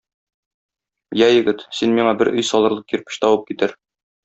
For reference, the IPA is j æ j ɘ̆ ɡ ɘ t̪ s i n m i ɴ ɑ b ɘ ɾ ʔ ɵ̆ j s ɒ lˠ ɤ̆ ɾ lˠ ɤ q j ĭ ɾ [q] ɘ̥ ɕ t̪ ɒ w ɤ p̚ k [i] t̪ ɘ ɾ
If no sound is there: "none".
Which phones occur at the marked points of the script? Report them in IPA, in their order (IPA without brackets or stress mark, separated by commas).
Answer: p, i